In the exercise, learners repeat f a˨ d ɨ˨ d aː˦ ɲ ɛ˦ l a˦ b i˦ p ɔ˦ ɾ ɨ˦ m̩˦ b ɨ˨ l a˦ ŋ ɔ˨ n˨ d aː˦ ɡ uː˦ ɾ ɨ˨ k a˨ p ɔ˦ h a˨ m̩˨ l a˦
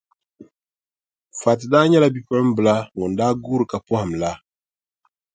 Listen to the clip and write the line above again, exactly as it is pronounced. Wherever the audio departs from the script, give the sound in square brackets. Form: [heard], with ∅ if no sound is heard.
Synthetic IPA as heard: f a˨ [t] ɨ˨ d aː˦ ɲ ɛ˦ l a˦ b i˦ p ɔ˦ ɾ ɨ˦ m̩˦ b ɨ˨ l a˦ ŋ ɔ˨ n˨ d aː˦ ɡ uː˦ ɾ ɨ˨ k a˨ p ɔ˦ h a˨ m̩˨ l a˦